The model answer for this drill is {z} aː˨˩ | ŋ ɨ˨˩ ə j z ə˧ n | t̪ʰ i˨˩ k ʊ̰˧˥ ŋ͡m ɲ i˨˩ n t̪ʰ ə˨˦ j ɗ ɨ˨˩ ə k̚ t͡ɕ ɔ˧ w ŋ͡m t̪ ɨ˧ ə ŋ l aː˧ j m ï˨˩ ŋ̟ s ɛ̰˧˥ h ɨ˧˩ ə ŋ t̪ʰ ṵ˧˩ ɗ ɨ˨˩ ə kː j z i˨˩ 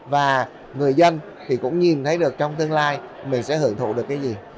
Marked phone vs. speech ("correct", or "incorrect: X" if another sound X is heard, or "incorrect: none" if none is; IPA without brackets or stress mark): incorrect: v